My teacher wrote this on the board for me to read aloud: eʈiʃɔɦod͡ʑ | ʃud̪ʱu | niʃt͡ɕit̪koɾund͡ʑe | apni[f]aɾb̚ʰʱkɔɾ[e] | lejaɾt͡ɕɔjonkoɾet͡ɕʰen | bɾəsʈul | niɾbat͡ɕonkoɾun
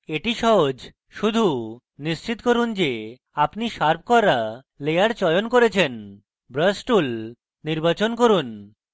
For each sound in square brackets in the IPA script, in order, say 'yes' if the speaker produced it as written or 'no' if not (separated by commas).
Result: no, no